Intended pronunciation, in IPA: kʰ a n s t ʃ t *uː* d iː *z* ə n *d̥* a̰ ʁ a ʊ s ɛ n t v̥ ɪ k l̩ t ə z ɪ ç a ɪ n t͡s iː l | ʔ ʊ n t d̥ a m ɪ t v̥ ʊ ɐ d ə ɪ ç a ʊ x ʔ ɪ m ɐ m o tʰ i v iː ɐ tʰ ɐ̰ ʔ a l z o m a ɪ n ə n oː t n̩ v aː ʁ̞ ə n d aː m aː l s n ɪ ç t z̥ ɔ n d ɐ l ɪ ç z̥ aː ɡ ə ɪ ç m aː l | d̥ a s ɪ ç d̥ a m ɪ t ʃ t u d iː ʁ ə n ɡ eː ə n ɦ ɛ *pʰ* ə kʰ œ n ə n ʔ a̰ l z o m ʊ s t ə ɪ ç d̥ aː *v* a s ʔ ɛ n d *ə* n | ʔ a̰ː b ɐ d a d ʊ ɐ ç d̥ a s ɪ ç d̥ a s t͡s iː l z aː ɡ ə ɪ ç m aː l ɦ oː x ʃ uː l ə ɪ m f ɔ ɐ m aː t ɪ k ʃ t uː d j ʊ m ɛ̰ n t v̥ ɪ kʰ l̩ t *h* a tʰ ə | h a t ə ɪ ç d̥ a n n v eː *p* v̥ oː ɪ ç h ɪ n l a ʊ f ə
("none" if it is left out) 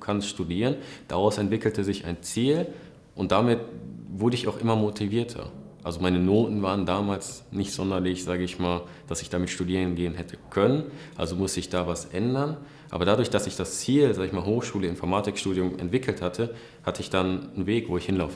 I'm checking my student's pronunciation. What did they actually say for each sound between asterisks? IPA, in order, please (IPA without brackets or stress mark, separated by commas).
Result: u, ʁ, d̥, tʰ, v, ɐ, h, k